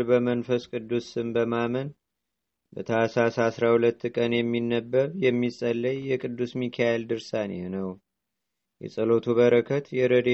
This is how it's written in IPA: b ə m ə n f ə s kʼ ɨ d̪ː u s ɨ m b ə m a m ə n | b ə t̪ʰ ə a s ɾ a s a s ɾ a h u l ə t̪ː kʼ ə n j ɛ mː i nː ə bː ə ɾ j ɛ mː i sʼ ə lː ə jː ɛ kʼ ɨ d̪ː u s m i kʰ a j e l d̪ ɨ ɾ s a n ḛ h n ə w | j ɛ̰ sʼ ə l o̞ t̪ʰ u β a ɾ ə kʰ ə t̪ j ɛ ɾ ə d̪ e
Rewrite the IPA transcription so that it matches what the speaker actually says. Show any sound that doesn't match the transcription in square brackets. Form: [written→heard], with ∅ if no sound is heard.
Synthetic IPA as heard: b ə m ə n f ə s kʼ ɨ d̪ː u s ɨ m b ə m a m ə n | b ə t̪ʰ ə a s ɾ a s a s ɾ a h u l ə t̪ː kʼ ə n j ɛ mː i nː ə bː ə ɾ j ɛ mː i sʼ ə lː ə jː ɛ kʼ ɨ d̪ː u s m i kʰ a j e l d̪ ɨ ɾ s a n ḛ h n ə w | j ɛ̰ sʼ ə l o̞ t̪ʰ u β [a→ə] ɾ ə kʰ ə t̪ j ɛ ɾ ə d̪ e